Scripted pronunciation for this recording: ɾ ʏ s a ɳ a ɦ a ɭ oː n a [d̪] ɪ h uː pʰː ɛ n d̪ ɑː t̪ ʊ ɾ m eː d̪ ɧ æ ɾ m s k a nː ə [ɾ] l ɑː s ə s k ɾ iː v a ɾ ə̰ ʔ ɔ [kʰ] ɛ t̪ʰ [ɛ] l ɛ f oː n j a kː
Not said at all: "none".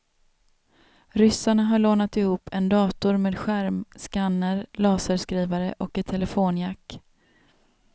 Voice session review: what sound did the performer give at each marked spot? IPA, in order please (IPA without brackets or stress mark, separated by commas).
t̪, ɾ, k, ɛ